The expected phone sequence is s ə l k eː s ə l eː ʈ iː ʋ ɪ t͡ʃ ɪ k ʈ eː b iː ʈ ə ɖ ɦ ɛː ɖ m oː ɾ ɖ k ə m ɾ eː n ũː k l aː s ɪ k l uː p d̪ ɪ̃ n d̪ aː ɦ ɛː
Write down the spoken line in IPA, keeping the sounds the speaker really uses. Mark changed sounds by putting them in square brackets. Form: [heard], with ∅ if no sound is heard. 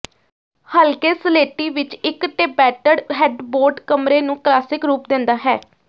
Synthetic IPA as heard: [h] ə l k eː s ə l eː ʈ iː ʋ ɪ t͡ʃ ɪ k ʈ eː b [ɛː] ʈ ə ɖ ɦ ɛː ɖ [b] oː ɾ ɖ k ə m ɾ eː n ũː k l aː s ɪ k [ɾ] uː p d̪ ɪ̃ n d̪ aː ɦ ɛː